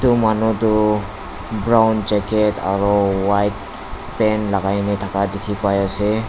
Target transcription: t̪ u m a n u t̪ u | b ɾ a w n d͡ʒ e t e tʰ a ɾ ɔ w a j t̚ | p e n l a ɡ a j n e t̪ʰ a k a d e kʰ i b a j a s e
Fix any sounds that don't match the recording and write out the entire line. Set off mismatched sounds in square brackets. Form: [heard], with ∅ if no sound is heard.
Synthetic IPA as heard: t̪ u m a n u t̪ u | b ɾ a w n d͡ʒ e [k] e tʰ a ɾ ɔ w a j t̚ | p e n l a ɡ a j n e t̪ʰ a k a d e kʰ i [p] a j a s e